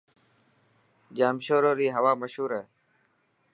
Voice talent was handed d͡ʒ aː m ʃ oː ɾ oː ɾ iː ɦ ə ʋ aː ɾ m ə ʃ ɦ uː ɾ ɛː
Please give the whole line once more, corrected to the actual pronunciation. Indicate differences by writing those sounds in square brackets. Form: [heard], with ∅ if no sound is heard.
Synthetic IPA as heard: d͡ʒ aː m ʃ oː ɾ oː ɾ iː ɦ ə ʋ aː [∅] m ə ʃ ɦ uː ɾ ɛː